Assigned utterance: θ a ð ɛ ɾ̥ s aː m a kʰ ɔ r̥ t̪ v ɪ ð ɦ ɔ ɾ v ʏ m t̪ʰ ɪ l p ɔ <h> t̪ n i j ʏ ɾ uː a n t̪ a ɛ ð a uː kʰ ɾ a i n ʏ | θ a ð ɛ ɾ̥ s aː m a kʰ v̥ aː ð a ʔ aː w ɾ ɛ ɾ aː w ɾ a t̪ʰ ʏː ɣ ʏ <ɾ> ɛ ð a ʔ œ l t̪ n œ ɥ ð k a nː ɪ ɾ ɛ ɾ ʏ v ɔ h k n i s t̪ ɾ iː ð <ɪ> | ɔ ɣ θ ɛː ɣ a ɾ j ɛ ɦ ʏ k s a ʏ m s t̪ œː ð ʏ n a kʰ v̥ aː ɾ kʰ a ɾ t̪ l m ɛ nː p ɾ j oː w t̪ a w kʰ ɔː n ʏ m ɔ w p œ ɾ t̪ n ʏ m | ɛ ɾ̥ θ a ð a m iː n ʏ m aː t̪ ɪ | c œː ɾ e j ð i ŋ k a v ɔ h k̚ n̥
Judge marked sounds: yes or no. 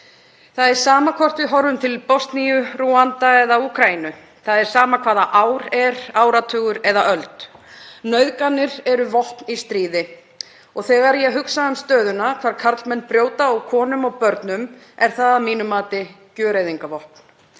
no, yes, yes

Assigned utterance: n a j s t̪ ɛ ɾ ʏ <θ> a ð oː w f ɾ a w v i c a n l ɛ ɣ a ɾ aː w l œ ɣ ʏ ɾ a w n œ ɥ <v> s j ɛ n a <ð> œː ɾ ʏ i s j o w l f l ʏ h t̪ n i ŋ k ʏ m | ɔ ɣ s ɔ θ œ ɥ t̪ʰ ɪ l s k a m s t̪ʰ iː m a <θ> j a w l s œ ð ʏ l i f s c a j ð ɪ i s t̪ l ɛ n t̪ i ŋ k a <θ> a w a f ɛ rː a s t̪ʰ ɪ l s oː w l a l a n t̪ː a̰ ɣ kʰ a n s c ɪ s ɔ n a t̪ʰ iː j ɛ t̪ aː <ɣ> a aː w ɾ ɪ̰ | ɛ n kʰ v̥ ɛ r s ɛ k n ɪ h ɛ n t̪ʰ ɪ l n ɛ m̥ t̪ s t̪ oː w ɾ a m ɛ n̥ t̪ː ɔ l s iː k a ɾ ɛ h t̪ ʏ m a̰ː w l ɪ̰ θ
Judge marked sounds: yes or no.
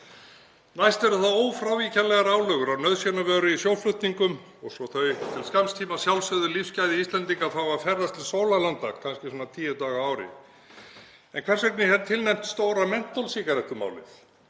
yes, no, no, no, yes, yes

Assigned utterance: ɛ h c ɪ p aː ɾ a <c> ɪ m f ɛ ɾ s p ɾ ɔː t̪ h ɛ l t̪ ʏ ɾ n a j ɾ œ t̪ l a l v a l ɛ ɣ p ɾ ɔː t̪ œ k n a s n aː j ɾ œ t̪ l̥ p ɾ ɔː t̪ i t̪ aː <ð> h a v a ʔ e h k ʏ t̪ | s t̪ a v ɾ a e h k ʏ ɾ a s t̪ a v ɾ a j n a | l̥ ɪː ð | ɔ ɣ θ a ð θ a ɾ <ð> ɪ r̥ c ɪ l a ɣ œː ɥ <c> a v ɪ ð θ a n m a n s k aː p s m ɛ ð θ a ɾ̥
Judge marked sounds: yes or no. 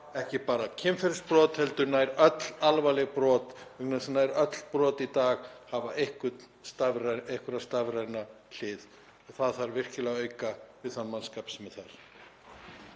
no, no, no, no

